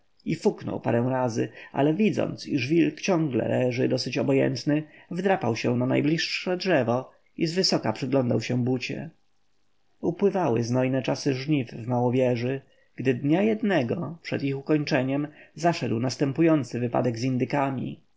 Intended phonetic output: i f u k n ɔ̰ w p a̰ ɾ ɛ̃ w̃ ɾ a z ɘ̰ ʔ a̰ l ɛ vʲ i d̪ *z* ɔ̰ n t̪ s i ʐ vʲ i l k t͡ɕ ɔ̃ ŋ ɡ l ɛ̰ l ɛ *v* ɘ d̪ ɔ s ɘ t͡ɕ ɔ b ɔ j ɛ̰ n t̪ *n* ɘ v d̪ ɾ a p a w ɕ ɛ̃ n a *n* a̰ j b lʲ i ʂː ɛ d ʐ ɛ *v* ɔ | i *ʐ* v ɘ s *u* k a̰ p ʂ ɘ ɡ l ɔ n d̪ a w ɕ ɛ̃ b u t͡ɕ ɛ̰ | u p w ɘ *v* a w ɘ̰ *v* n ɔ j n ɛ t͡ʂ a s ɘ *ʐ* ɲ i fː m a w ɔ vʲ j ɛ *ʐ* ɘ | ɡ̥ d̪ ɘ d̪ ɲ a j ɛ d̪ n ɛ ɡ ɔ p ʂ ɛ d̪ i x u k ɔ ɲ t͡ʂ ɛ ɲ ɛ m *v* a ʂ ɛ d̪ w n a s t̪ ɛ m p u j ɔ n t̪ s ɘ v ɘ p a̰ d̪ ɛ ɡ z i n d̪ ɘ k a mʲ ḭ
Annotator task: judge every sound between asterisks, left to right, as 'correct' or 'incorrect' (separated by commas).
correct, incorrect, correct, correct, correct, incorrect, incorrect, correct, incorrect, correct, correct, incorrect